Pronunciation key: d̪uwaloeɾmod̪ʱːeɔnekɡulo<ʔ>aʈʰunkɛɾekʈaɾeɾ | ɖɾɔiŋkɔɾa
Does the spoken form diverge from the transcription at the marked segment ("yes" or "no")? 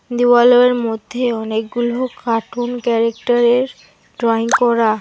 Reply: yes